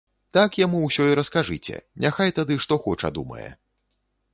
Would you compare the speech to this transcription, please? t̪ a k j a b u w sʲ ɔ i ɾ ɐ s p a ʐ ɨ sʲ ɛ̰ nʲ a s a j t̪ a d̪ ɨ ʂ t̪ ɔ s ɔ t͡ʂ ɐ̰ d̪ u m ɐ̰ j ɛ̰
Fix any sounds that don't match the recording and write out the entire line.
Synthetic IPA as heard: t̪ a k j a m u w sʲ ɔ i ɾ ɐ s k a ʐ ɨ t͡sʲ ɛ̰ nʲ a x a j t̪ a d̪ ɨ ʂ t̪ ɔ x ɔ t͡ʂ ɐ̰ d̪ u m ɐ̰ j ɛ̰

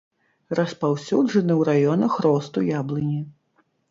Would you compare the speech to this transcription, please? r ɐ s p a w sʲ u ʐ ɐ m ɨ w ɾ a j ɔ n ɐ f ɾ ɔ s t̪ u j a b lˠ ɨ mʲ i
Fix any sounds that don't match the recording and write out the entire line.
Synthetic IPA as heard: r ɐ s p a w sʲ u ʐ ɐ n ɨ w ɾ a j ɔ n ɐ x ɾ ɔ s t̪ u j a b lˠ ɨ nʲ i

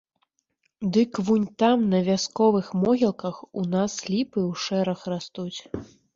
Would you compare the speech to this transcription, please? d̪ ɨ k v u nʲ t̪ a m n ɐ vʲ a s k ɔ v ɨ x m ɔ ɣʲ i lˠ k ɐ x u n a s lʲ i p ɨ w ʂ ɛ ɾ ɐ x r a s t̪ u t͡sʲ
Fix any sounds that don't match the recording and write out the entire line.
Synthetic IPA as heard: d̪ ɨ k v u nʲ t̪ a m n ɐ vʲ a s k ɔ v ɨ x m ɔ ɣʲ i lˠ k ɐ x u n a s lʲ i p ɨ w ʂ ɛ ɾ ɐ x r a s t̪ u t͡sʲ

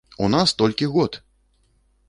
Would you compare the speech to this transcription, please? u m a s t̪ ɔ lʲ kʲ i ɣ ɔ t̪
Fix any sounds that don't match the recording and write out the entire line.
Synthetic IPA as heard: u n a s t̪ ɔ lʲ kʲ i ɣ ɔ t̪

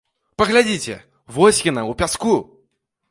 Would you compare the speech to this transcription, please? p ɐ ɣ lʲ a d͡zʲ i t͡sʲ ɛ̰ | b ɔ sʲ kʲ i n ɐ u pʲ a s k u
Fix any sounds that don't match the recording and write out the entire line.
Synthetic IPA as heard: p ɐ ɣ lʲ a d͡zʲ i t͡sʲ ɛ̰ | v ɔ sʲ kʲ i n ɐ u pʲ a s k u

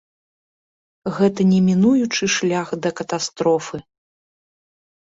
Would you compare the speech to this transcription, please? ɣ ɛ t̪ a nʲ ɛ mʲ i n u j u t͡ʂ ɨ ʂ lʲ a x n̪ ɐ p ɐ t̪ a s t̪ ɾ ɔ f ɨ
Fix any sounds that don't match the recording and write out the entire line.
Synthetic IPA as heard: ɣ ɛ t̪ ɐ nʲ ɛ mʲ i n u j u t͡ʂ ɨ ʂ lʲ a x d̪ ɐ k ɐ t̪ a s t̪ ɾ ɔ f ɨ

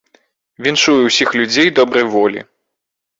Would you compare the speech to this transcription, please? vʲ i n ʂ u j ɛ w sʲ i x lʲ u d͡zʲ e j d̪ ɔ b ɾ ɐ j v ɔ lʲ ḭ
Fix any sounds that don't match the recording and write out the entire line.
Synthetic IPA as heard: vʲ i n ʂ u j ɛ w sʲ i x lʲ u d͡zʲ e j d̪ ɔ b ɾ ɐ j v ɔ lʲ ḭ

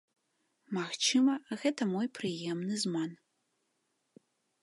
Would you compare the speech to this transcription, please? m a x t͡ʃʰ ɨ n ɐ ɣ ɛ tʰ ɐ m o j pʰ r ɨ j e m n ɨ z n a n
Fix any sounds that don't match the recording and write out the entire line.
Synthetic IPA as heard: m a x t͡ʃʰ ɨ m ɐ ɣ ɛ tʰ ɐ m o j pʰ r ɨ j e m n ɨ z m a n

